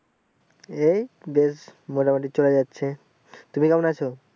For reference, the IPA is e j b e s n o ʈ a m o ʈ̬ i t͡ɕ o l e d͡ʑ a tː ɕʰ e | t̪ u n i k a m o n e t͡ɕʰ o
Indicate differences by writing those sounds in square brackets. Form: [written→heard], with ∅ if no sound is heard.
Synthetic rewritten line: e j b e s [n→m] o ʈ a m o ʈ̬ i t͡ɕ o l e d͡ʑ a tː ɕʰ e | t̪ u [n→m] i k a m o n [e→a] t͡ɕʰ o